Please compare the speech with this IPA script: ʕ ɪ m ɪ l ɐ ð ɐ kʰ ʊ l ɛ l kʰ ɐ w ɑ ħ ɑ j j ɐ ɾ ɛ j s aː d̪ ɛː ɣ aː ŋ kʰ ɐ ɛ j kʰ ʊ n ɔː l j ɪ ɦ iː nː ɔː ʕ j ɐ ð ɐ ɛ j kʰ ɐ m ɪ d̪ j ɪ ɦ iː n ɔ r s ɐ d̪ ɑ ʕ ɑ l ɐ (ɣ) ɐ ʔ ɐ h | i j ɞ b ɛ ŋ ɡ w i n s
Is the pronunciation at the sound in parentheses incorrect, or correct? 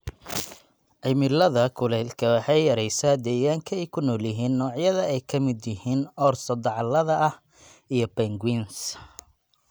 incorrect: ð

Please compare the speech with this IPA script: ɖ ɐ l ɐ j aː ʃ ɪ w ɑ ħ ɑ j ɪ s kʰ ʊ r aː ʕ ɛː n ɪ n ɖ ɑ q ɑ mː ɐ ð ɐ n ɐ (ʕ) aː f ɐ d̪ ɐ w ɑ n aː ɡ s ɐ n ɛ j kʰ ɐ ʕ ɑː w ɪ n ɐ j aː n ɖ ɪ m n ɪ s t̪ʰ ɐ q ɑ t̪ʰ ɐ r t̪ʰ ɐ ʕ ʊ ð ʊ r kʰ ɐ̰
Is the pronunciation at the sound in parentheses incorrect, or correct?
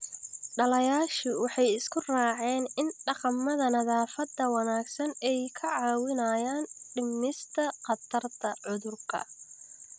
incorrect: ð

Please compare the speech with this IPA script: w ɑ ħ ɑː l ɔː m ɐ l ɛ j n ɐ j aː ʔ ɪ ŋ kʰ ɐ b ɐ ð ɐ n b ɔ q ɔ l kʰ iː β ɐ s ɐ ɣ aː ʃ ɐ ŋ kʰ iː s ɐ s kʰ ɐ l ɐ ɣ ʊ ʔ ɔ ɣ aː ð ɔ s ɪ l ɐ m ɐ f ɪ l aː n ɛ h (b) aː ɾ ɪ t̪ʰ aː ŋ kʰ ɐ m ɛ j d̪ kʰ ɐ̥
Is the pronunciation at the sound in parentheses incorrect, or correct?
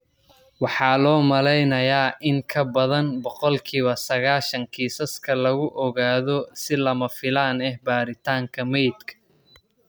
correct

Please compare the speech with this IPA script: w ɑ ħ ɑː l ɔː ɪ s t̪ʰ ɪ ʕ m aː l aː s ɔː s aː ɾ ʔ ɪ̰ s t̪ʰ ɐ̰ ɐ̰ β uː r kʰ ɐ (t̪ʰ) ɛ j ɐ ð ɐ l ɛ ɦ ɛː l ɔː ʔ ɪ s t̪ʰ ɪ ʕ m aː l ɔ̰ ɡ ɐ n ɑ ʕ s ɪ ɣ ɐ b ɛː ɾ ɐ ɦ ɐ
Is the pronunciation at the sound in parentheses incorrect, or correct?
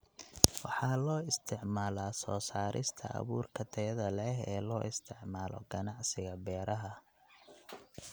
correct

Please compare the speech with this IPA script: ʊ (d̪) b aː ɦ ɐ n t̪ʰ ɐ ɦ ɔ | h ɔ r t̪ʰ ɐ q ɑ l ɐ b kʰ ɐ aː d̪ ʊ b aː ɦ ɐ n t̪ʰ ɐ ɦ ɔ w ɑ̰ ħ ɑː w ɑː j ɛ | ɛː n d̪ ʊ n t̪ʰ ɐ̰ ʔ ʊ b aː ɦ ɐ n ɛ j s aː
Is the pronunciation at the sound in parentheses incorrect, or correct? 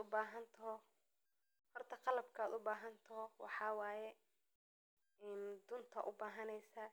incorrect: none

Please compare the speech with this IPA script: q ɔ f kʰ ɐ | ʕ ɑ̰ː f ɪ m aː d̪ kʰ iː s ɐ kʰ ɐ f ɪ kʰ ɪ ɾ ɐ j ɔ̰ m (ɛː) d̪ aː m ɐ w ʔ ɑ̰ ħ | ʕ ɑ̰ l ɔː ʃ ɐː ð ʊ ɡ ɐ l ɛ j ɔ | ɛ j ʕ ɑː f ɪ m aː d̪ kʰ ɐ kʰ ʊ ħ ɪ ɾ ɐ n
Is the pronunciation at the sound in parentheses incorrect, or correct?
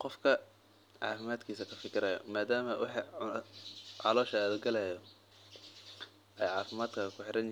incorrect: aː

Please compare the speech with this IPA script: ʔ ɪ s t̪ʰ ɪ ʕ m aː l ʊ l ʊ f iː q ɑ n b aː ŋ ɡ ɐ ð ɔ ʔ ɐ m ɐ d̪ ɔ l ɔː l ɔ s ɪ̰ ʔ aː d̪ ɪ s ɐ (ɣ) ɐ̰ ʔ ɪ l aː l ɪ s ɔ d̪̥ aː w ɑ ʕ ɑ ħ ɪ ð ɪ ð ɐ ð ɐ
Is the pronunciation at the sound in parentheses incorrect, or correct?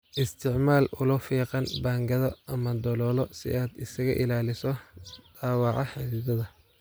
correct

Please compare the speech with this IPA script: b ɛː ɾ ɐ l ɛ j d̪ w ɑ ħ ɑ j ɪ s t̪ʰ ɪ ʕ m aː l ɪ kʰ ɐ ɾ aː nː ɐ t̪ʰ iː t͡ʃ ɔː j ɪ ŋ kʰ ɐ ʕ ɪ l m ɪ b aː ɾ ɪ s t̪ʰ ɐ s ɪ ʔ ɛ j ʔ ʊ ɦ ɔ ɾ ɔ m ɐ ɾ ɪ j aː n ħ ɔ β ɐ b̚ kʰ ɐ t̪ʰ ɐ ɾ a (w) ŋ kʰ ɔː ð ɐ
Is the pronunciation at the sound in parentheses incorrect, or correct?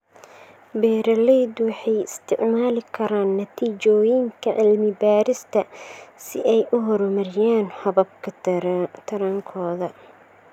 incorrect: none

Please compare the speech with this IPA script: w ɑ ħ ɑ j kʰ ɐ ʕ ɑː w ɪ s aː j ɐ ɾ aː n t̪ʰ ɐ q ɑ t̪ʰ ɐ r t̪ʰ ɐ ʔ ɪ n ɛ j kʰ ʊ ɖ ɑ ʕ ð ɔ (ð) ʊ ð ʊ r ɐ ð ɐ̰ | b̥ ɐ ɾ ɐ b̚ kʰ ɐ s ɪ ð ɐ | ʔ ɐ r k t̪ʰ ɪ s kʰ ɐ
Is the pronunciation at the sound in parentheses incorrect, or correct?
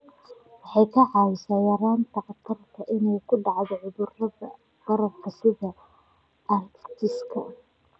incorrect: ʕ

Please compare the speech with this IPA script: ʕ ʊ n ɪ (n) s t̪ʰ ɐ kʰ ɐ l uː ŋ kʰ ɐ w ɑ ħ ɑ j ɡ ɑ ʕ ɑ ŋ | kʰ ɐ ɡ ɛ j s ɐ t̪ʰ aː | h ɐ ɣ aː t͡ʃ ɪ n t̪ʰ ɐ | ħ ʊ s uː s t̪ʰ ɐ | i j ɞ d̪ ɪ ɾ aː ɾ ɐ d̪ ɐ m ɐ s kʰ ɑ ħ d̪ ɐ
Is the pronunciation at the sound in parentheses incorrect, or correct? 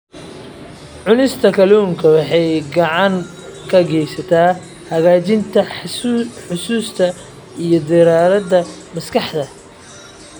incorrect: none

